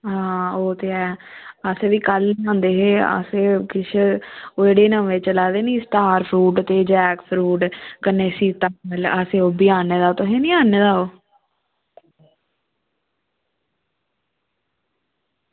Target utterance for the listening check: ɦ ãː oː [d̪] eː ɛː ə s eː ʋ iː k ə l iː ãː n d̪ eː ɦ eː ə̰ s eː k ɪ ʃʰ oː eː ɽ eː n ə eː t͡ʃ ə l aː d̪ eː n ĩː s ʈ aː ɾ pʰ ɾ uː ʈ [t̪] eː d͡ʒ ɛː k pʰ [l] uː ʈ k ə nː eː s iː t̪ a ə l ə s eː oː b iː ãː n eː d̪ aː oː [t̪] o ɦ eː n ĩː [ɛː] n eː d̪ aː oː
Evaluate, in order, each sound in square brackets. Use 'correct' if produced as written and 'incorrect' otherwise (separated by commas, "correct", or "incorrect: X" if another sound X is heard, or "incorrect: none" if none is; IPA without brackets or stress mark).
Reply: incorrect: t̪, correct, incorrect: ɾ, correct, incorrect: aː